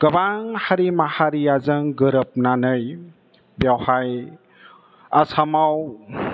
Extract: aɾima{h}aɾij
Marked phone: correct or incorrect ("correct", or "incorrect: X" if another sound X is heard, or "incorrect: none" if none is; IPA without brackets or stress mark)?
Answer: correct